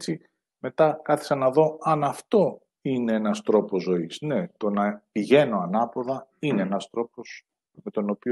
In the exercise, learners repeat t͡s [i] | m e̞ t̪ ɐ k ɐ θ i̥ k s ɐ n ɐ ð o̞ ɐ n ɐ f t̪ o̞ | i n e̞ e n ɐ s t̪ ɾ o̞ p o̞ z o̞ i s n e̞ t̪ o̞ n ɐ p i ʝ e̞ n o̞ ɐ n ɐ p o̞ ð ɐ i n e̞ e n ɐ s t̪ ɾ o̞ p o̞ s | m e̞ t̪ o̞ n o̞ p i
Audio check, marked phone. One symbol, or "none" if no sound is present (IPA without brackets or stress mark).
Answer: i